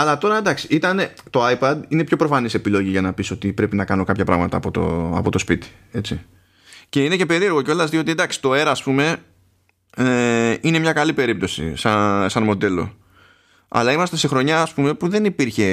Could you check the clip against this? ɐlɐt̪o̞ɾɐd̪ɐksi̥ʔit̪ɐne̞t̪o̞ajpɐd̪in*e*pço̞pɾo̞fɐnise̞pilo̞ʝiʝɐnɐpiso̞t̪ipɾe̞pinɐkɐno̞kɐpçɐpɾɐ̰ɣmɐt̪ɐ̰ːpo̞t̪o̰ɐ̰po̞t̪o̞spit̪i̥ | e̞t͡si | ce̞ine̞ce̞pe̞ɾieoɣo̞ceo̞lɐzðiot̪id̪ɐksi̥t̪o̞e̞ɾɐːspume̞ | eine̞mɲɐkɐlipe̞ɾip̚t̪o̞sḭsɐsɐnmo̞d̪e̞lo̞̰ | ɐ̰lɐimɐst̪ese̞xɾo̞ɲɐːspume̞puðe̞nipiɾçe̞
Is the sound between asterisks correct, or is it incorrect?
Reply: correct